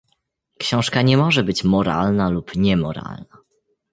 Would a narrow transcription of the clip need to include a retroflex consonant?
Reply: yes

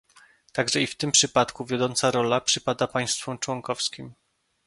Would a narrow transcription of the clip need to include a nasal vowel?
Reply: no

